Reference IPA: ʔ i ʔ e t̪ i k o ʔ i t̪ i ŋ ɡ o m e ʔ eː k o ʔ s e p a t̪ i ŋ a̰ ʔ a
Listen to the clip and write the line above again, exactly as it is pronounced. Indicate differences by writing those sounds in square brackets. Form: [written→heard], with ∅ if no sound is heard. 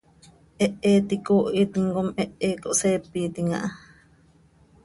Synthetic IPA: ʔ [i→e] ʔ e t̪ i k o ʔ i t̪ i ŋ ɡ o m e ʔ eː k o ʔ s e p [a→i] t̪ i ŋ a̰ ʔ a